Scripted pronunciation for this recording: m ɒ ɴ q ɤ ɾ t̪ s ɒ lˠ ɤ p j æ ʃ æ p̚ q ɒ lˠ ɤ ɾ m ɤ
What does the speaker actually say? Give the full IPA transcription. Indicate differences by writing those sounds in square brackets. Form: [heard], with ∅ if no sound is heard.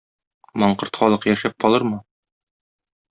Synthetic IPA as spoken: m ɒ ɴ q ɤ ɾ t̪ [χ] ɒ lˠ ɤ [q] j æ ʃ æ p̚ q ɒ lˠ ɤ ɾ m ɤ